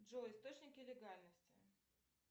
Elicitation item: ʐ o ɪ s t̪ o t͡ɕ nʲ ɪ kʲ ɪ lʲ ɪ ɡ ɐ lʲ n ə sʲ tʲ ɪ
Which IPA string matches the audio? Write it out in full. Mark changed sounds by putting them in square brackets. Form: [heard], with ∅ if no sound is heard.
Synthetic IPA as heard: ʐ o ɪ s t̪ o t͡ɕ nʲ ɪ kʲ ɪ lʲ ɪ ɡ [a] lʲ n ə sʲ tʲ ɪ